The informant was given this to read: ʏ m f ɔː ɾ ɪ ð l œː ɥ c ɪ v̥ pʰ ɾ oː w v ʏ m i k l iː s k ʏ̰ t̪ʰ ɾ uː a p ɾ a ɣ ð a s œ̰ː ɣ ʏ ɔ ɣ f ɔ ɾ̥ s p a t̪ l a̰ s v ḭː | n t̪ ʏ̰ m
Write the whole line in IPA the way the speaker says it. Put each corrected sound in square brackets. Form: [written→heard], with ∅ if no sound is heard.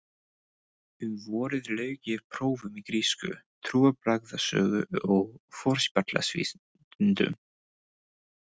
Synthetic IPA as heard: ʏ m [f→v] ɔː ɾ ɪ ð l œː ɥ c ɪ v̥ pʰ ɾ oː w v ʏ m i k [l→ɾ] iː s k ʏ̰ t̪ʰ ɾ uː a p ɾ a ɣ ð a s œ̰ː ɣ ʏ ɔ ɣ f ɔ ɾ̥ s p a t̪ l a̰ s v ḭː | n t̪ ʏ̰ m